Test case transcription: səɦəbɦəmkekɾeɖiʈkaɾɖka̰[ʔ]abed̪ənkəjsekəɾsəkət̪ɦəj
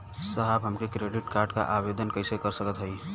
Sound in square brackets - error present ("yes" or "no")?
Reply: no